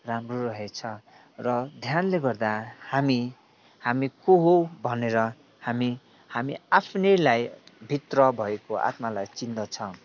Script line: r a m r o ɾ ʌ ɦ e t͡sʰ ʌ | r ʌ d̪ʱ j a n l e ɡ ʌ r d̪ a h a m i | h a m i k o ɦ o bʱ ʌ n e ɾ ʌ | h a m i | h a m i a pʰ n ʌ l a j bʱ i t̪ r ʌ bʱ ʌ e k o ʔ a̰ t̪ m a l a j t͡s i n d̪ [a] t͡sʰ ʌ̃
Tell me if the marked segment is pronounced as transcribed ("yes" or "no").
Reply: no